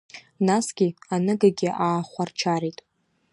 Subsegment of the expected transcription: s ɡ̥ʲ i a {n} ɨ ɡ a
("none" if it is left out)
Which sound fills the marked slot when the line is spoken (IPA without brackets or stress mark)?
n